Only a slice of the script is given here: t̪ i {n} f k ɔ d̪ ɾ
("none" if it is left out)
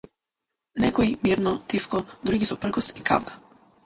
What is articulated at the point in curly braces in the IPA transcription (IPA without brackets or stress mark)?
none